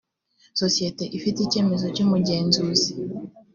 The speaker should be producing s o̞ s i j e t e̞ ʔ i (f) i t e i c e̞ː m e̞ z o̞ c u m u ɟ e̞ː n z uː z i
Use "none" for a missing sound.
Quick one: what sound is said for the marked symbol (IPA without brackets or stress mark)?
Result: f